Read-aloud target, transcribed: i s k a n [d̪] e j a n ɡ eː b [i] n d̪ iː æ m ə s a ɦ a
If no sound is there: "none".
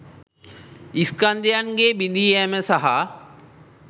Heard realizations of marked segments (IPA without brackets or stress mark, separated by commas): d̪, i